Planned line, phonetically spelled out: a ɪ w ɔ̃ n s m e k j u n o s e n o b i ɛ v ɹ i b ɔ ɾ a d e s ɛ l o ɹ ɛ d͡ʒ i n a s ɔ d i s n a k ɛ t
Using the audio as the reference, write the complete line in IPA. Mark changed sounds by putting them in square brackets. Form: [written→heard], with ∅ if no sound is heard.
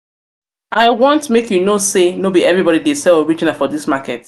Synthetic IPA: a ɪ w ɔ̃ n [s→t] m e k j u n o s e n o b i ɛ v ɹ i b ɔ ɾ [a→i] d e s ɛ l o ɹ [ɛ→i] d͡ʒ i n a [s→f] ɔ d i s [n→m] a k ɛ t